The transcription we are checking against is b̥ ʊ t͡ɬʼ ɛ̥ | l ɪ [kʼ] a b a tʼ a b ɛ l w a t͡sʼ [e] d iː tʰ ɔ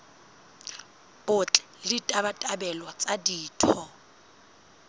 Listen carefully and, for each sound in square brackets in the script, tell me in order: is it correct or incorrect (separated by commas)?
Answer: incorrect, incorrect